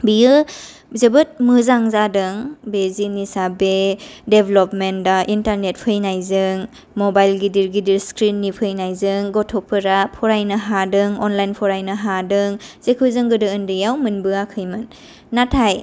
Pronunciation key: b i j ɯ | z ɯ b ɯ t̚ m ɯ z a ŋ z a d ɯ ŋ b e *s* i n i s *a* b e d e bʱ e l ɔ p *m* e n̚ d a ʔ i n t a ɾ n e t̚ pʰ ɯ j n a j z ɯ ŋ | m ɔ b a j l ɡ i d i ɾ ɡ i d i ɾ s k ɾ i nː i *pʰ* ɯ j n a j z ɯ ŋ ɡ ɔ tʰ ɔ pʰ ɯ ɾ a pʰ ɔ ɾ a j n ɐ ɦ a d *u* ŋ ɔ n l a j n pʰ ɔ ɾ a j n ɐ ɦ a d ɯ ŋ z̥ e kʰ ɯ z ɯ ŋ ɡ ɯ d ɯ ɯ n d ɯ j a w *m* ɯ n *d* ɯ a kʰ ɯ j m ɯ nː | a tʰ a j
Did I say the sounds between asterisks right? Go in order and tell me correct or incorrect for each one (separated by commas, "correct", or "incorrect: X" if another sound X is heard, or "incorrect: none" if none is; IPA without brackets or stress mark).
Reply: incorrect: z, correct, correct, correct, incorrect: ɯ, correct, incorrect: b